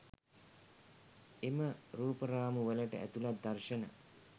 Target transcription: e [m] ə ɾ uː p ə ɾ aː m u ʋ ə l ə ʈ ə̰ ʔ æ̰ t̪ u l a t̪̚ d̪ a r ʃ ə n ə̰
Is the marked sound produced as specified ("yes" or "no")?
yes